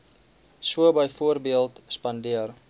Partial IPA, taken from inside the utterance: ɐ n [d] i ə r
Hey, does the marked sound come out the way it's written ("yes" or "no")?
yes